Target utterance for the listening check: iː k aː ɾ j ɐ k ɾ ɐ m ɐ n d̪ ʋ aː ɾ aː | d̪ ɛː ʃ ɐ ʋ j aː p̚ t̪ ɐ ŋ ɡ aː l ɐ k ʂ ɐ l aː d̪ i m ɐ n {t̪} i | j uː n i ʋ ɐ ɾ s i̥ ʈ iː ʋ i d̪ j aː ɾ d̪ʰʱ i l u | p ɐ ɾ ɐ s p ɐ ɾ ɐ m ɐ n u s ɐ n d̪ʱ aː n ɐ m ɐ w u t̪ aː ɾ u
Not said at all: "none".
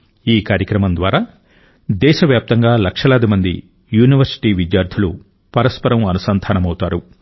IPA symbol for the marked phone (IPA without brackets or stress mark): d̪